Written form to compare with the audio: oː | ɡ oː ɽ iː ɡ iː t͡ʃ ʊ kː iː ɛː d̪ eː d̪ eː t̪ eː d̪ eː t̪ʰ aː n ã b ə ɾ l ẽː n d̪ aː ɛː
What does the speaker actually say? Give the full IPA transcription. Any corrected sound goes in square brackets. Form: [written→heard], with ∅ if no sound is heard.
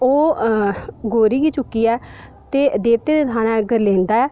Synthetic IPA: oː | ɡ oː [ɽ→ɾ] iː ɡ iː t͡ʃ ʊ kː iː ɛː [d̪→t̪] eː d̪ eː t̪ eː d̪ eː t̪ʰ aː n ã [b→ɡ] ə ɾ l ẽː n d̪ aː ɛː